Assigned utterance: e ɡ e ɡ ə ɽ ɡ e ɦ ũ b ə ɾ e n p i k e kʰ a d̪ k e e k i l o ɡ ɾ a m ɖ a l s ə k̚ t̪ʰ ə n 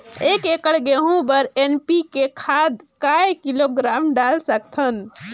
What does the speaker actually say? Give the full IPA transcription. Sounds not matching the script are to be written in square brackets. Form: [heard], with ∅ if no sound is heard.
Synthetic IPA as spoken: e [k] e [k] ə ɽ ɡ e ɦ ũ b ə ɾ e n p i k e kʰ a d̪ k [a] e k i l o ɡ ɾ a m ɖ a l s ə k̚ t̪ʰ ə n